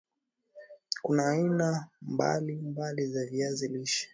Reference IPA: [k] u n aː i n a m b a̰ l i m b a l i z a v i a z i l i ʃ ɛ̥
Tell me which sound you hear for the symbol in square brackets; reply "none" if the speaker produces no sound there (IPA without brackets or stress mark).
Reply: k